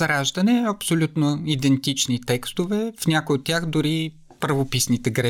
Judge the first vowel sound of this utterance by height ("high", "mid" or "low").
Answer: low